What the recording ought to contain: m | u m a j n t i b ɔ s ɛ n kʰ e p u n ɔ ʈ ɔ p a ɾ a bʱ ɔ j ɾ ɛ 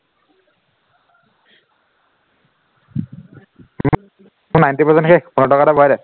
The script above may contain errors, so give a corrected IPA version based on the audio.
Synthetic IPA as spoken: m | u n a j n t i p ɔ s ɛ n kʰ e p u n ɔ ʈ ɔ k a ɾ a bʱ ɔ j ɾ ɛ

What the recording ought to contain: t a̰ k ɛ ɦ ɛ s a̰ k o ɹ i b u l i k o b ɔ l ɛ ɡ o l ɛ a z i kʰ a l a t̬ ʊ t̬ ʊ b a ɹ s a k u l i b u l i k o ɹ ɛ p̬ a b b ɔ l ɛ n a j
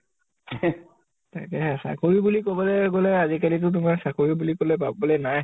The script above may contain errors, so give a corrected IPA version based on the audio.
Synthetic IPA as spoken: t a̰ k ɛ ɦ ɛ s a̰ k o ɹ i b u l i k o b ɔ l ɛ ɡ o l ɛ a z i k a l i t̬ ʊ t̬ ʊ m a ɹ s a k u ɹ i b u l i k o l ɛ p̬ a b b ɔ l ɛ n a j

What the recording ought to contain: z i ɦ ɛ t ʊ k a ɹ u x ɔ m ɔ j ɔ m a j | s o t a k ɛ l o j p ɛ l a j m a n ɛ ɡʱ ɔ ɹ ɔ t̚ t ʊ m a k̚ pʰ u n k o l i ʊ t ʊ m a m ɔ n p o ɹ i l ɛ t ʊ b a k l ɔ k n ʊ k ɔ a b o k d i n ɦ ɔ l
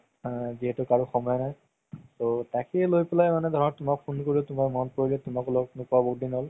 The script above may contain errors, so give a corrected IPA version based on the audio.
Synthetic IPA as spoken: z i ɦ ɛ t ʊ k a ɹ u x ɔ m ɔ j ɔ n a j | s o t a k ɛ l o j p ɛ l a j m a n ɛ dʱ ɔ ɹ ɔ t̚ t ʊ m a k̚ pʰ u n k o ɹ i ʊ t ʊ m a m ɔ n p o ɹ i l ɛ t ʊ m a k l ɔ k n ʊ k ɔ a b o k d i n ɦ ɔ l

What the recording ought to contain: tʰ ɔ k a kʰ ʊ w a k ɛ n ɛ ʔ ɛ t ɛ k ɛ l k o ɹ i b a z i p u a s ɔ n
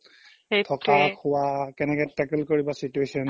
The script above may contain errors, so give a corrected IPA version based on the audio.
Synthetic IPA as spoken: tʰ ɔ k a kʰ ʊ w a k ɛ n ɛ k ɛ t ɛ k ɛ l k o ɹ i b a s i t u e s ɔ n

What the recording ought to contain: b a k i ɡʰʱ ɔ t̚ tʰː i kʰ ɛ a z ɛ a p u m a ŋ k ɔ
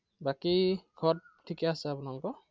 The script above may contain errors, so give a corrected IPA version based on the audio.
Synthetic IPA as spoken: b a k i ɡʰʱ ɔ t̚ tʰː i k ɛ a s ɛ a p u n a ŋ k ɔ

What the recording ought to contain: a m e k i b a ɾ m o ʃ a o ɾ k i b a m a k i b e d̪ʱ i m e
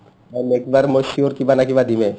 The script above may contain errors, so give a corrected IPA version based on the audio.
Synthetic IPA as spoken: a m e k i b a ɾ m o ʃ i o ɾ k i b a n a k i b a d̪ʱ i m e

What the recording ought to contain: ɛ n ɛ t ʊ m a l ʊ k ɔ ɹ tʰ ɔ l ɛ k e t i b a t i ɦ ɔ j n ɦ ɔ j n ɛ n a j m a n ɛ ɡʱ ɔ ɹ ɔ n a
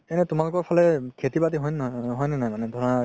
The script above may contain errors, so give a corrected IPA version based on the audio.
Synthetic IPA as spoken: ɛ n ɛ t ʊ m a l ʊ k ɔ ɹ pʰ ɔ l ɛ kʰ e t i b a t i ɦ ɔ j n ɦ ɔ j n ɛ n a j m a n ɛ dʱ ɔ ɹ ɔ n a

